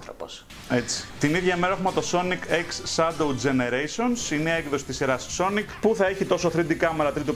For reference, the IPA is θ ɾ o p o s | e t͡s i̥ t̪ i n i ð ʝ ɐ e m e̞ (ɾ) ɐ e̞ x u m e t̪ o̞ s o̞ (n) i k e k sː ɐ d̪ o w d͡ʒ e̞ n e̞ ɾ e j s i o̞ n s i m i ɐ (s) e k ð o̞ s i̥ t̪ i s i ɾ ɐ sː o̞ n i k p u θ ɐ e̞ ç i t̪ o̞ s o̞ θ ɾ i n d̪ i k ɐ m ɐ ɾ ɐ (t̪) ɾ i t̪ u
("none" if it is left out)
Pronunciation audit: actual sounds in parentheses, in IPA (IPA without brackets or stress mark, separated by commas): ɾ, n, none, t̪